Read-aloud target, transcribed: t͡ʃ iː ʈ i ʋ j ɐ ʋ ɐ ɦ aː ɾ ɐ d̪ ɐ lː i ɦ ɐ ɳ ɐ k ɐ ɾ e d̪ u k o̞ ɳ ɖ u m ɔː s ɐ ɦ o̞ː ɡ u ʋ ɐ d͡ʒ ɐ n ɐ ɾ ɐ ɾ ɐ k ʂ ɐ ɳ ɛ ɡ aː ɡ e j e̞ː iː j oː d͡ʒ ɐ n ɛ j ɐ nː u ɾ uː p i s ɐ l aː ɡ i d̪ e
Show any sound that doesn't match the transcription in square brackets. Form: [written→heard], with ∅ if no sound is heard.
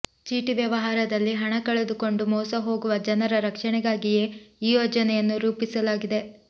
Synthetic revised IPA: t͡ʃ iː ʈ i ʋ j ɐ ʋ ɐ ɦ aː ɾ ɐ d̪ ɐ lː i ɦ ɐ ɳ ɐ k ɐ [ɾ→ɭ] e d̪ u k o̞ ɳ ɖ u m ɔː s ɐ ɦ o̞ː ɡ u ʋ ɐ d͡ʒ ɐ n ɐ ɾ ɐ ɾ ɐ k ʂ ɐ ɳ ɛ ɡ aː ɡ [e→i] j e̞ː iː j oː d͡ʒ ɐ n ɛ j ɐ nː u ɾ uː p i s ɐ l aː ɡ i d̪ e